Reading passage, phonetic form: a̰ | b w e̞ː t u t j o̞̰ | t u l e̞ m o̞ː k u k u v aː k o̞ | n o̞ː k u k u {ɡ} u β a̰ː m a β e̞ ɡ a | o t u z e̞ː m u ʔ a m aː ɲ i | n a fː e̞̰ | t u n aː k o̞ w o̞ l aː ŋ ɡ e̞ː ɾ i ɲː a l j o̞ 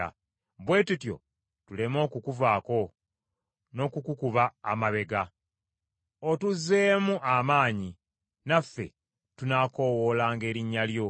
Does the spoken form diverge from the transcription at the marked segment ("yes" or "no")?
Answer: yes